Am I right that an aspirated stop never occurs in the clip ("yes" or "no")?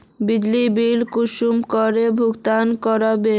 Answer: yes